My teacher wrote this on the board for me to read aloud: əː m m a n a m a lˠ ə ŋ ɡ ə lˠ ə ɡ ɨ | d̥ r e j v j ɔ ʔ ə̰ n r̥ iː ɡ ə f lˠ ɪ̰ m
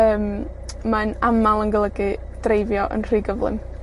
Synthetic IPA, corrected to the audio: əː m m a n a m a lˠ ə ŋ ɡ ə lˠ ə ɡ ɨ | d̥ r e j v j ɔ ʔ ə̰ n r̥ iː ɡ ə v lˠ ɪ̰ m